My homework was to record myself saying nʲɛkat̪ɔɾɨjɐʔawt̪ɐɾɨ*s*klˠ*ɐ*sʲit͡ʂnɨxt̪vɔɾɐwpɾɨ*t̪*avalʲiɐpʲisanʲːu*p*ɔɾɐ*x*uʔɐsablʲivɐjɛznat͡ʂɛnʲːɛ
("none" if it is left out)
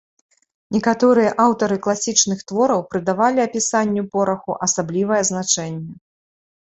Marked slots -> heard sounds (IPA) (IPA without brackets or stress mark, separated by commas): none, a, d̪, p, x